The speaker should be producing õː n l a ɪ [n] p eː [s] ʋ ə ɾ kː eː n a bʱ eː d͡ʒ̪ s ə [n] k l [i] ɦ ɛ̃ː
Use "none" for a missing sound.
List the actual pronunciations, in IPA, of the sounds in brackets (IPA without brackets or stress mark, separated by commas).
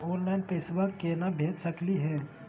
n, s, none, i